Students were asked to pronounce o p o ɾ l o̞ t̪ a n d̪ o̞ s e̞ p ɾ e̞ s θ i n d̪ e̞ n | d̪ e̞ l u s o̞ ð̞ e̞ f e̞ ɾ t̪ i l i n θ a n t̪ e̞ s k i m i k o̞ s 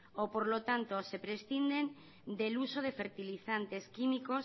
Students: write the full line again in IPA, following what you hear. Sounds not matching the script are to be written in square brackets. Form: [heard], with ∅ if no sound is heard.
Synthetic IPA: o p o ɾ l o̞ t̪ a n [t̪] o̞ s e̞ p ɾ e̞ s θ i n d̪ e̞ n | d̪ e̞ l u s o̞ ð̞ e̞ f e̞ ɾ t̪ i l i [∅] θ a n t̪ e̞ s k i m i k o̞ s

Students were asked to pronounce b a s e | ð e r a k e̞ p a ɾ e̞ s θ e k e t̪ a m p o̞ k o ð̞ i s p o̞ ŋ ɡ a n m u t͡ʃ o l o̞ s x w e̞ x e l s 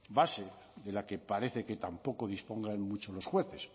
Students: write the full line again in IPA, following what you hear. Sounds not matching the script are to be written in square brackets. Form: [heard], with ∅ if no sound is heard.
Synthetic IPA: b a s e | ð e [l] a k e̞ p a ɾ e̞ [∅] θ e k e t̪ a m p o̞ k o ð̞ i s p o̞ ŋ ɡ a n m u t͡ʃ o l o̞ s x w e̞ [θ] e [∅] s

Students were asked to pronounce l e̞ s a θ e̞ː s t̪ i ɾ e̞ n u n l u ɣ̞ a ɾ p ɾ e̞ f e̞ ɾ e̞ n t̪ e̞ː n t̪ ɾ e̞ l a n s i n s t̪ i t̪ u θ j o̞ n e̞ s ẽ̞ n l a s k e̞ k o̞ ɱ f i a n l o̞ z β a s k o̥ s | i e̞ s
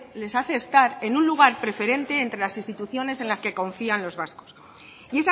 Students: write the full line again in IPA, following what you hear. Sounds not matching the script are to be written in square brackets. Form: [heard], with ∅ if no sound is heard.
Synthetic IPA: l e̞ s a θ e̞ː s t̪ [a] ɾ e̞ n u n l u ɣ̞ a ɾ p ɾ e̞ f e̞ ɾ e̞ n t̪ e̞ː n t̪ ɾ e̞ l a [∅] s i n s t̪ i t̪ u θ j o̞ n e̞ s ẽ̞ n l a s k e̞ k o̞ ɱ f i a n l o̞ z β a s k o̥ s | i e̞ s

